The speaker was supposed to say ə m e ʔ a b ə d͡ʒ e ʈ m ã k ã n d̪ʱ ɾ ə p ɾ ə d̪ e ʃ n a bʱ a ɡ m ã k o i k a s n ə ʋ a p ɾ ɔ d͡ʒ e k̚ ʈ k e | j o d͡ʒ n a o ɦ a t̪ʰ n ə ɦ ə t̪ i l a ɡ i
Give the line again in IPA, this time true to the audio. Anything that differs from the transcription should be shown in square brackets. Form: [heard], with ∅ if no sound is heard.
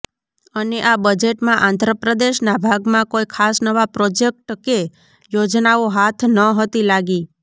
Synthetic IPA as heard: ə [n] e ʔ a b ə d͡ʒ e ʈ m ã [ʔ] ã n d̪ʱ ɾ ə p ɾ ə d̪ e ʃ n a bʱ a ɡ m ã k o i [kʰ] a s n ə ʋ a p ɾ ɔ d͡ʒ e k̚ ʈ k e | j o d͡ʒ n a o ɦ a t̪ʰ n ə ɦ ə t̪ i l a ɡ i